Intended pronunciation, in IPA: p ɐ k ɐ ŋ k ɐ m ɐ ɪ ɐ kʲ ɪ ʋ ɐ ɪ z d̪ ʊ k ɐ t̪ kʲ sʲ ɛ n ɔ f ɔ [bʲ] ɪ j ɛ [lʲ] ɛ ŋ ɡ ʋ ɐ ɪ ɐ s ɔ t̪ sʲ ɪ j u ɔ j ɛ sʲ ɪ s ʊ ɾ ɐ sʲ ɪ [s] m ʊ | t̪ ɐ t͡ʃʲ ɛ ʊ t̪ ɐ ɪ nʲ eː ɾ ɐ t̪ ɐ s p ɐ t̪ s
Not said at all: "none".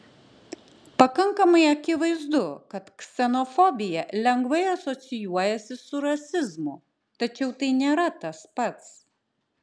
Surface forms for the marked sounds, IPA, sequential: bʲ, lʲ, z

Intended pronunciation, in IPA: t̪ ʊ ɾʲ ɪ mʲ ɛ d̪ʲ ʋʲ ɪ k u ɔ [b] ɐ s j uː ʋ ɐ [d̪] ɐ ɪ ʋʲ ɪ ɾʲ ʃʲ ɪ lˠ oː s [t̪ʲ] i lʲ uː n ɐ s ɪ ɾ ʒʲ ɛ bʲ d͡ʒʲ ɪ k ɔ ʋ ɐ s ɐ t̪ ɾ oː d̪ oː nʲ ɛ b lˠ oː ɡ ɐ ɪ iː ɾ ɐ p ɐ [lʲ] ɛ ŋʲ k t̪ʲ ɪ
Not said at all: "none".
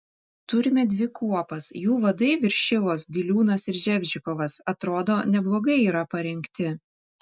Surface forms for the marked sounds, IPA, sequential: p, d̪, d̪ʲ, ɾʲ

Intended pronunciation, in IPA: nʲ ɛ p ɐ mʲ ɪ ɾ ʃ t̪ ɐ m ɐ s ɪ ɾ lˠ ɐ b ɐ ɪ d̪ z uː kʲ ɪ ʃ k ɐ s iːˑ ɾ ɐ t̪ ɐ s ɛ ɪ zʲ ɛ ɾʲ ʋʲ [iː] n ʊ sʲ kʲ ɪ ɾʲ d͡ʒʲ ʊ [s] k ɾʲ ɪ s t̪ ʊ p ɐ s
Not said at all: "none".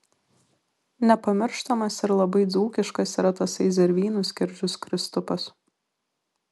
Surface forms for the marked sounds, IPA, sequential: iː, s

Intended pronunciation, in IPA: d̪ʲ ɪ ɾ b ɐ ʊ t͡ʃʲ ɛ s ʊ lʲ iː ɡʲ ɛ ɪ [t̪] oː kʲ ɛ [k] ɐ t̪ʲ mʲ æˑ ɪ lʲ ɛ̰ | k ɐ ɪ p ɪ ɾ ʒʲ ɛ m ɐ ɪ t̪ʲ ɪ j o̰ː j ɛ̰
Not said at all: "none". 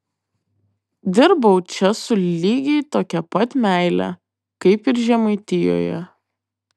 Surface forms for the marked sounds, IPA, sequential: t̪, p

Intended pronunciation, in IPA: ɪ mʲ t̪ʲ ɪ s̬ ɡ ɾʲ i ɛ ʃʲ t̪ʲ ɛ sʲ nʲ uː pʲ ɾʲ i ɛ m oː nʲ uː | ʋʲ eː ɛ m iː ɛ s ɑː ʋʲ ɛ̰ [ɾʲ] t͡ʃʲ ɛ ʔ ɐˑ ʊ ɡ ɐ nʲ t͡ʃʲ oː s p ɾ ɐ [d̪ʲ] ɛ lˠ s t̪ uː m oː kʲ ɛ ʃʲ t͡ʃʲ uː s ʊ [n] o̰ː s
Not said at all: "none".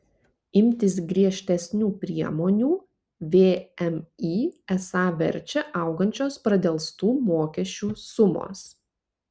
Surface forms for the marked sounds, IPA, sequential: ɾʲ, d̪ʲ, m

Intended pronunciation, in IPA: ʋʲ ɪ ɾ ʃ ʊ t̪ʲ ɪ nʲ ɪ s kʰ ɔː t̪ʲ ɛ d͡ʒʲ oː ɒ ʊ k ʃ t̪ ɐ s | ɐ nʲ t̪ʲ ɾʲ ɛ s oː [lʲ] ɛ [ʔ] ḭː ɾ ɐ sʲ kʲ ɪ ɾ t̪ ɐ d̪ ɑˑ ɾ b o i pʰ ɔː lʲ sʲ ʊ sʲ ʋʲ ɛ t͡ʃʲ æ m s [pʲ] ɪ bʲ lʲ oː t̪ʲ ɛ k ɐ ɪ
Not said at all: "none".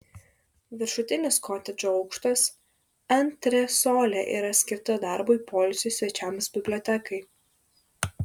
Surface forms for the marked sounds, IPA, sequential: lʲ, ʔ, bʲ

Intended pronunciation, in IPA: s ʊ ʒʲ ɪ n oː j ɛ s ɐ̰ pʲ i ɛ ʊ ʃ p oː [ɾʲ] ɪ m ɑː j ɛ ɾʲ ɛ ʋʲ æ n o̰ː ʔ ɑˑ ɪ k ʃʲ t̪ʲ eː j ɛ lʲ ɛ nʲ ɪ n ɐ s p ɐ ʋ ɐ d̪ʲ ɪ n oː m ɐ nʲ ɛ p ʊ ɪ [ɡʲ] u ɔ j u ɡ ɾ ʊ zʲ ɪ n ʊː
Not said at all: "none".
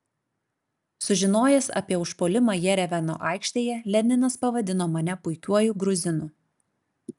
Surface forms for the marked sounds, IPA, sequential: lʲ, kʲ

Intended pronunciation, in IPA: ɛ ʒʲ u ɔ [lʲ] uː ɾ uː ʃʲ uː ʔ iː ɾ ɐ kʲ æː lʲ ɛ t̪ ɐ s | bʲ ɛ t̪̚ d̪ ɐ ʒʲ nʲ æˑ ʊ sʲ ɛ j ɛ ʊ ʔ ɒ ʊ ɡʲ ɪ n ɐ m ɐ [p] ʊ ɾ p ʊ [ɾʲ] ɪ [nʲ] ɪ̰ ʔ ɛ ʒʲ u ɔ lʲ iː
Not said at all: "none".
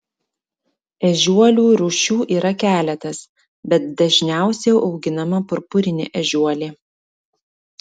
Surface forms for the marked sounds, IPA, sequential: lʲ, p, ɾʲ, nʲ

